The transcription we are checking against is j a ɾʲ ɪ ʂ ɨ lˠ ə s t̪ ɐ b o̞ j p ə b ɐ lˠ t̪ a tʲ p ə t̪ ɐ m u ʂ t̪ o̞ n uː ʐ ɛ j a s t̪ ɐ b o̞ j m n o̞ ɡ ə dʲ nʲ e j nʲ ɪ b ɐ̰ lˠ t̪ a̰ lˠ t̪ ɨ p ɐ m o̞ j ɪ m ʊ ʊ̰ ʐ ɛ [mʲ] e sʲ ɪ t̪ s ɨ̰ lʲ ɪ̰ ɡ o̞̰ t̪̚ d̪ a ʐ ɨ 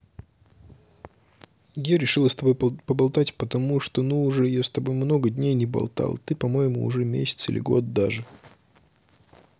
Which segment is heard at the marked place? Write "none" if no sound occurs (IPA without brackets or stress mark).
mʲ